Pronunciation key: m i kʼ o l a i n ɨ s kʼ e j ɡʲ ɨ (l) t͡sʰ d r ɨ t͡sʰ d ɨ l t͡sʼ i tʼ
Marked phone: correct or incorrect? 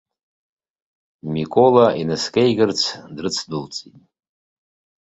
incorrect: r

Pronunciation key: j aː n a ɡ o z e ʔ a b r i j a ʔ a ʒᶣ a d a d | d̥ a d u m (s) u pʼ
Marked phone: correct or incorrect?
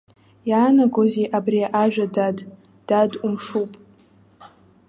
incorrect: ʂ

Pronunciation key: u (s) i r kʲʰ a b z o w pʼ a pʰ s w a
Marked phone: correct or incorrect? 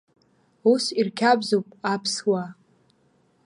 correct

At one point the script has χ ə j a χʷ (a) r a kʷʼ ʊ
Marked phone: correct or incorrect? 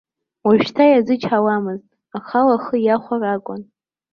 correct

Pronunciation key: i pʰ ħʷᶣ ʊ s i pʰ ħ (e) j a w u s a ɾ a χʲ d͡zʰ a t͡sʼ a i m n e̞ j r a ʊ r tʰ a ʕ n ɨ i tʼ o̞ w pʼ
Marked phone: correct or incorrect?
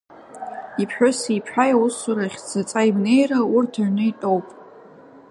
incorrect: a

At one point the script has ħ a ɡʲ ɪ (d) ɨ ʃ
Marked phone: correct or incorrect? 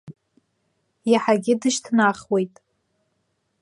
correct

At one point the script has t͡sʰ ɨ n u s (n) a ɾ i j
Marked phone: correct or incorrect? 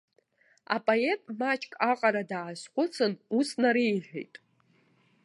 correct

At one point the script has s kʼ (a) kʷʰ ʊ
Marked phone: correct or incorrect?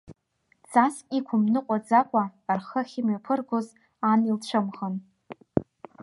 incorrect: i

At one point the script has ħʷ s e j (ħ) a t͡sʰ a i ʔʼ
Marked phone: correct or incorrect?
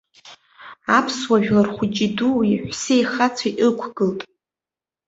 incorrect: χ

